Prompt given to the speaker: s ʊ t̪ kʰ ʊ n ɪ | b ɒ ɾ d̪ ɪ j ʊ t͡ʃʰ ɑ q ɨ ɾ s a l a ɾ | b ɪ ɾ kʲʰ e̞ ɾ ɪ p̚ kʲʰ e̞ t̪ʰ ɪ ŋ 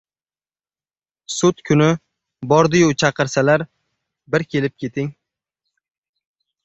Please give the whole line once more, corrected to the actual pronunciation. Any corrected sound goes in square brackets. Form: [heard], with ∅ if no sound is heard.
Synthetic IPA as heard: s ʊ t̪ kʰ ʊ n ɪ | b ɒ ɾ d̪ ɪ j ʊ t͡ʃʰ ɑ q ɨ ɾ s a l a ɾ | b ɪ ɾ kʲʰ e̞ [l] ɪ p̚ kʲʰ e̞ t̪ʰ ɪ ŋ